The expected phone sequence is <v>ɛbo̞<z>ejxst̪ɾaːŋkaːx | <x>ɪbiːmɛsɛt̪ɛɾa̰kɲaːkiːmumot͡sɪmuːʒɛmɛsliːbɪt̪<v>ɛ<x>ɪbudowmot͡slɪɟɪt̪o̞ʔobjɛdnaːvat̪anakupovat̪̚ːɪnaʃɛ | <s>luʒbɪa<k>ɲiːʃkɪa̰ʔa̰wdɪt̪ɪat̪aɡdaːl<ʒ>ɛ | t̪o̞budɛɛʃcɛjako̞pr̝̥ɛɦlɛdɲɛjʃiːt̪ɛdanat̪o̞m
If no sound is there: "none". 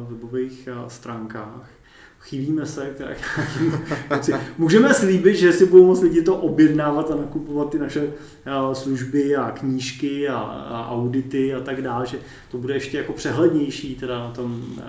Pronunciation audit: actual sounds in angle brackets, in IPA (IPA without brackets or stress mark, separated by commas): v, v, x, ʒ, s, s, k, ʒ